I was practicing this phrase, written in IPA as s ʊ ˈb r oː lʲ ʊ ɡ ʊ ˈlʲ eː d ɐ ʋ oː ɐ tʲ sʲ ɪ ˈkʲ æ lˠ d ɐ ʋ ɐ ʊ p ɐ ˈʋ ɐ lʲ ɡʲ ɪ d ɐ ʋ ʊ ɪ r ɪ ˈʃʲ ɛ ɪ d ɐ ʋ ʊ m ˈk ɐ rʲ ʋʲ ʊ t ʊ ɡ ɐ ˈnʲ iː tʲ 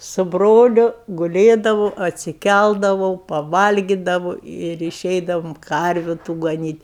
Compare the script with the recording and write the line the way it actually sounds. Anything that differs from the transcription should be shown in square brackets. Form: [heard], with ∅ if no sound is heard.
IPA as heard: s ʊ ˈb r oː lʲ ʊ ɡ ʊ ˈlʲ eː d ɐ ʋ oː ɐ tʲ sʲ ɪ ˈkʲ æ lˠ d ɐ ʋ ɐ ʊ p ɐ ˈʋ ɐ lʲ ɡʲ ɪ d ɐ ʋ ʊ ɪ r ɪ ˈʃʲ ɛ ɪ d ɐ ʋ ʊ m ˈk ɐ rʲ ʋʲ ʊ t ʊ ɡ ɐ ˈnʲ iː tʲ